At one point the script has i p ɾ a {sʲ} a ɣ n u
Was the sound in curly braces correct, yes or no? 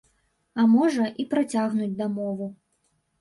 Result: no